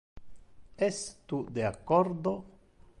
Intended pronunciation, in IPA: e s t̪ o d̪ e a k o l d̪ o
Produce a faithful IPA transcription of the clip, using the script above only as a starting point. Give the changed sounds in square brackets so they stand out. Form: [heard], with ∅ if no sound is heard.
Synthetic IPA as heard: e s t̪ [u] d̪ e a k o [ɾ] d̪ o

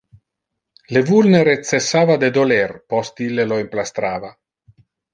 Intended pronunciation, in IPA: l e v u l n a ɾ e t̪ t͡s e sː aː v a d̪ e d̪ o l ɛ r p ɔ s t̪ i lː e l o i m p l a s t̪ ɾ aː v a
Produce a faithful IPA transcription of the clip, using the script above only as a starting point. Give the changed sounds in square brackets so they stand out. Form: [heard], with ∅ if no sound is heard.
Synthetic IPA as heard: l e v u l n [e] ɾ e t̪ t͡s e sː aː v a d̪ e d̪ o l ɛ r p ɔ s t̪ i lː e l o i m p l a s t̪ ɾ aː v a

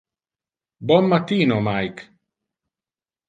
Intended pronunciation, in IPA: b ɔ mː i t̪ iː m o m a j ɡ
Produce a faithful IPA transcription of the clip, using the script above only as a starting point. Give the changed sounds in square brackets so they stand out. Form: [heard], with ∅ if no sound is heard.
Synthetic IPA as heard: b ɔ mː [a] t̪ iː [n] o m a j [k]

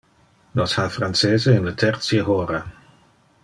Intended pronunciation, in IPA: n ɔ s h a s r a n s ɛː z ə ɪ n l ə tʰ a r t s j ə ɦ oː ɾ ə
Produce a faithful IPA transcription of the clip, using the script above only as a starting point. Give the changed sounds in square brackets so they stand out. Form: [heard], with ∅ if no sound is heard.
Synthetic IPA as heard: n ɔ s h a [f] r a n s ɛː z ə ɪ n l ə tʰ [ɛ] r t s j ə ɦ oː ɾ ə

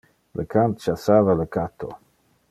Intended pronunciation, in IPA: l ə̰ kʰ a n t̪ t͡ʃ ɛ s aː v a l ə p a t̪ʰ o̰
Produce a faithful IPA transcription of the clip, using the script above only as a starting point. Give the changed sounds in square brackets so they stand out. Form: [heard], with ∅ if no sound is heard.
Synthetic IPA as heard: l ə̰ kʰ a n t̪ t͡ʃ [a] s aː v a l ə [k] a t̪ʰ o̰

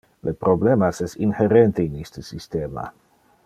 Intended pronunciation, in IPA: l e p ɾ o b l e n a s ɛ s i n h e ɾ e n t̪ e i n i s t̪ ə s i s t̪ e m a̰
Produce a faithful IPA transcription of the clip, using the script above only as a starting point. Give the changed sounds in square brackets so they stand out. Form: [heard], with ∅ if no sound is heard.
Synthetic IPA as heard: l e p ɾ o b l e [m] a s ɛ s i n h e ɾ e n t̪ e i n i s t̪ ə s i s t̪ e m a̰

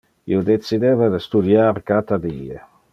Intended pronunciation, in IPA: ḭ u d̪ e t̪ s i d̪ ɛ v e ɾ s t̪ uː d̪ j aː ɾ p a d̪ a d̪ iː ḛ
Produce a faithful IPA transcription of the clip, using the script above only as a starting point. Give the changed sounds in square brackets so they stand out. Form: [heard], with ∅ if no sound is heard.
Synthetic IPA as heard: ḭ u d̪ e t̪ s i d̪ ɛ v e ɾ s t̪ [u] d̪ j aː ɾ [k] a [t̪] a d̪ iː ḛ

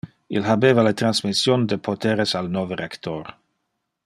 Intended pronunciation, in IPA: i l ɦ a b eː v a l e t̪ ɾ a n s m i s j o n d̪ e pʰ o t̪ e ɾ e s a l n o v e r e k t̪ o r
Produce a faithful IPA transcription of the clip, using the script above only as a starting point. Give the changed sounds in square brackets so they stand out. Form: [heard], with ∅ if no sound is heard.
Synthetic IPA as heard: i l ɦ a b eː v a l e t̪ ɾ a n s m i s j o n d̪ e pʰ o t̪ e ɾ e s a l n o v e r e k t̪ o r

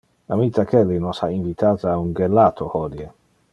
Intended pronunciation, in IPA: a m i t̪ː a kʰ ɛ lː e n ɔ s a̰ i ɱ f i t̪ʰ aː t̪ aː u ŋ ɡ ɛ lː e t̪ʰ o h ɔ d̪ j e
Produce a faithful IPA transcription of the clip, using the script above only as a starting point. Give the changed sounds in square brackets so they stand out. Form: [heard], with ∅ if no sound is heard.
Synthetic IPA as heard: a m i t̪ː a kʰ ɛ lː [i] n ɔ s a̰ i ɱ [v] i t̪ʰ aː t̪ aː u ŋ ɡ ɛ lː [a] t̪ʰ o h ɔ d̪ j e

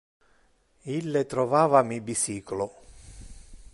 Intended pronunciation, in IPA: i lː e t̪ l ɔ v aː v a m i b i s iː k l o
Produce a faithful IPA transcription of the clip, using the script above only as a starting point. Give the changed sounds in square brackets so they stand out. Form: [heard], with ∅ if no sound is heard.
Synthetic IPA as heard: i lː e t̪ [ɾ] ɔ v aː v a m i b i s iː k l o

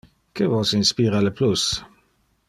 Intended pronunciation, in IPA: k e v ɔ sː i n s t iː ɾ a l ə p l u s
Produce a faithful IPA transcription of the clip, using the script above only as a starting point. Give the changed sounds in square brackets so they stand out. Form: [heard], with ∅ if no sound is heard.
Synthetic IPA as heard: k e v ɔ [s] i n s [p] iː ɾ a l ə p l u s

